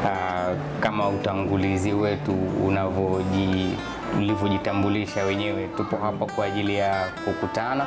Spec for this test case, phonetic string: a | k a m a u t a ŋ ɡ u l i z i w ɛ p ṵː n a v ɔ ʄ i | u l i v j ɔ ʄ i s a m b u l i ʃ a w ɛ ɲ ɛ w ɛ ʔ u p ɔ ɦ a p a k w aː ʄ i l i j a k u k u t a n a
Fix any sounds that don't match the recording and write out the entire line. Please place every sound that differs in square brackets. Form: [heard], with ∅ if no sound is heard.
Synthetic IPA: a | k a m a u t a ŋ ɡ u l i z i w ɛ [t] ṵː n a v ɔ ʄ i | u l i v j ɔ ʄ i [t] a m b u l i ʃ a w ɛ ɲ ɛ w ɛ [t] u p ɔ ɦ a p a k w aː ʄ i l i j a k u k u t a n a